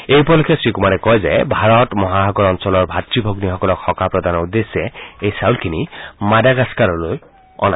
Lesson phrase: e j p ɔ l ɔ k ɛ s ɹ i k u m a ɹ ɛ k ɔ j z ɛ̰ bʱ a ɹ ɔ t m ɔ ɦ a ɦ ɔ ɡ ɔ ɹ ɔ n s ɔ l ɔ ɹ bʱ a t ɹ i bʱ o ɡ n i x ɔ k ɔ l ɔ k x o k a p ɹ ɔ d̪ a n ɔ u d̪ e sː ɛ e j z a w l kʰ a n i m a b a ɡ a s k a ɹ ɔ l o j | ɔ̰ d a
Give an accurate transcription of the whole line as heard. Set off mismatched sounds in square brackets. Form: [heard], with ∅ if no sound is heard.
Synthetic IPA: e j p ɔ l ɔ k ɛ s ɹ i k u m a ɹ ɛ k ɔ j z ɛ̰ bʱ a ɹ ɔ t m ɔ ɦ a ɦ ɔ ɡ ɔ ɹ ɔ n s ɔ l ɔ ɹ bʱ a t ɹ i bʱ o ɡ n i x ɔ k ɔ l ɔ k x [ɔ] k a p ɹ ɔ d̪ a n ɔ u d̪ e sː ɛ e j [s] a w l kʰ [i] n i m a [d] a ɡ a s k a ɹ ɔ l o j | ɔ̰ [n] a

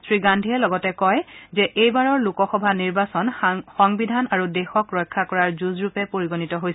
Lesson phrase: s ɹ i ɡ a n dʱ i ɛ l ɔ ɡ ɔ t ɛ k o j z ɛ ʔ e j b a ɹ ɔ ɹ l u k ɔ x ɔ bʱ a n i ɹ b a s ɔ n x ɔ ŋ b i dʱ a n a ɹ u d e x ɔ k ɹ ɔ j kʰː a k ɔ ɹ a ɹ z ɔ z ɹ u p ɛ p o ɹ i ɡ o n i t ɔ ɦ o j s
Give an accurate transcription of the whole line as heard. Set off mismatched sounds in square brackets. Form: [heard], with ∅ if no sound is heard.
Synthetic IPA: s ɹ i ɡ a n dʱ i ɛ l ɔ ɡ ɔ t ɛ k [ɔ] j z ɛ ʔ e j b a ɹ ɔ ɹ l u k ɔ x ɔ bʱ a n i ɹ b a s ɔ n x ɔ ŋ b i dʱ a n a ɹ u d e x ɔ k ɹ ɔ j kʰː a k ɔ ɹ a ɹ z [u] z ɹ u p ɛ p o ɹ i ɡ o n i t ɔ ɦ o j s

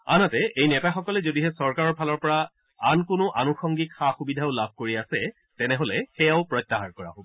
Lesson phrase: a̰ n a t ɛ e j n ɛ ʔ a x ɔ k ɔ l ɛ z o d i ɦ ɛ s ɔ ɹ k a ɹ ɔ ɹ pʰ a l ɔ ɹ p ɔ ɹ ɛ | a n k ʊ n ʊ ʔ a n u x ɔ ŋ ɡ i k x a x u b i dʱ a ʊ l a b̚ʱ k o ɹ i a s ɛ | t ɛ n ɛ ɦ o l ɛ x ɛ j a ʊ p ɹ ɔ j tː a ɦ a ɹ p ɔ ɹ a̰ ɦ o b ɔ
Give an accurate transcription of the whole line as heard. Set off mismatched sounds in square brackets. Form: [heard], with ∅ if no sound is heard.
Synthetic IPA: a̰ n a t ɛ e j n ɛ [t] a x ɔ k ɔ l ɛ z o d i ɦ ɛ s ɔ ɹ k a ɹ ɔ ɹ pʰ a l ɔ ɹ p ɔ ɹ [a] | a n k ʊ n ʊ ʔ a n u x ɔ ŋ ɡ i k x a x u b i dʱ a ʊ l a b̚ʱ k o ɹ i a s ɛ | t ɛ n ɛ ɦ o l ɛ x ɛ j a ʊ p ɹ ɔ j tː a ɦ a ɹ [k] ɔ ɹ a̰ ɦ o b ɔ

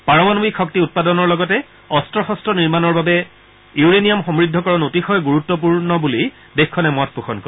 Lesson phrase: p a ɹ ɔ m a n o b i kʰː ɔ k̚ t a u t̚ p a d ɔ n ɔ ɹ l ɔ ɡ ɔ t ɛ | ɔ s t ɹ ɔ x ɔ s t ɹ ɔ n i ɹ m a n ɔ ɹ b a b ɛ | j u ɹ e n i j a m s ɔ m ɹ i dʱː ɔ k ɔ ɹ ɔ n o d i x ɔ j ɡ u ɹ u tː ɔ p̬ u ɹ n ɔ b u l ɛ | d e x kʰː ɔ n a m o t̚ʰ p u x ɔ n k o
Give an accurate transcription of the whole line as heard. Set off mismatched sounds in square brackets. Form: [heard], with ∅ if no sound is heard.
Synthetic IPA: p a ɹ ɔ m a n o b i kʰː ɔ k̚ t [i] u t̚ p a d ɔ n ɔ ɹ l ɔ ɡ ɔ t ɛ | ɔ s t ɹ ɔ x ɔ s t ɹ ɔ n i ɹ m a n ɔ ɹ b a b ɛ | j u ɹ e n i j a m [x] ɔ m ɹ i dʱː ɔ k ɔ ɹ ɔ n o [t] i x ɔ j ɡ u ɹ u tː ɔ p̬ u ɹ n ɔ b u l [i] | d e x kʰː ɔ n [ɛ] m [ɔ] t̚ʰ p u x ɔ n k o

